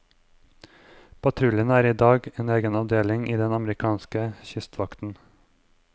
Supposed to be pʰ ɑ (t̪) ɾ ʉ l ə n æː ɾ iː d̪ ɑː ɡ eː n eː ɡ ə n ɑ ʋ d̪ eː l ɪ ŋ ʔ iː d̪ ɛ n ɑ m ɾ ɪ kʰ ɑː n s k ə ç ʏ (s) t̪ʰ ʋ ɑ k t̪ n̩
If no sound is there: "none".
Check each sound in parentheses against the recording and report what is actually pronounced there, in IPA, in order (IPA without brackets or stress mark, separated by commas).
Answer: t̪ʰ, s